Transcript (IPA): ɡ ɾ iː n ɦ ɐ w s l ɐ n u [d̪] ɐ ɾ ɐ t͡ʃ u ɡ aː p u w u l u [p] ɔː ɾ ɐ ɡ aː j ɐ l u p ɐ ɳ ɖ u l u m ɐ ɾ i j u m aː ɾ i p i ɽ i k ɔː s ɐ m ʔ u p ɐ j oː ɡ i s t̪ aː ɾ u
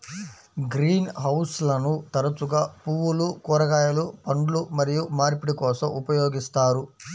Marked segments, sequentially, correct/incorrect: incorrect, incorrect

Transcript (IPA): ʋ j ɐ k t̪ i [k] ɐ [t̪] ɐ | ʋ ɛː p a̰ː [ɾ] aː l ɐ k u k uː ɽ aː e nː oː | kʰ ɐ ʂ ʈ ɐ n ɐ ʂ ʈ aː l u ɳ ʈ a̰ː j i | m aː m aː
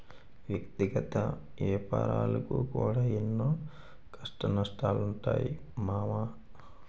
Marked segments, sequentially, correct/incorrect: incorrect, correct, correct

